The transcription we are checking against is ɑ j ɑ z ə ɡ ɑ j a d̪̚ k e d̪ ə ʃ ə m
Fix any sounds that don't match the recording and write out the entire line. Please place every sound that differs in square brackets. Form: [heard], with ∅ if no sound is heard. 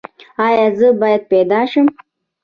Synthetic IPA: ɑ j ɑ z ə [b] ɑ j a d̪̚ [p] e d̪ [ɑ] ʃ ə m